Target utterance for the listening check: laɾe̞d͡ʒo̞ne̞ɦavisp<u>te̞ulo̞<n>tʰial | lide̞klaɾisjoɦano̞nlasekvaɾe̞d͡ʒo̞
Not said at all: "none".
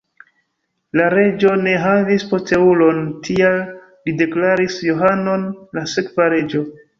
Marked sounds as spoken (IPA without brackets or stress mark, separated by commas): o, n